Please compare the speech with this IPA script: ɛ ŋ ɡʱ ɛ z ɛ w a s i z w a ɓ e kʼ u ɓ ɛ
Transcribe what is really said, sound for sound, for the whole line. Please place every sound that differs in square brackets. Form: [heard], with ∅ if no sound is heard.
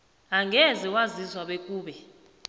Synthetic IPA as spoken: [a] ŋ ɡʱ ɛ z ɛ w a [z] i z w a ɓ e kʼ [uː] ɓ ɛ